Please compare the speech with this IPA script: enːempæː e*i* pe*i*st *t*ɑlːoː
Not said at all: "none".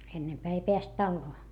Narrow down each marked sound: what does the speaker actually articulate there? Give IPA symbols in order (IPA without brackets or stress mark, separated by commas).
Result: i, æ, t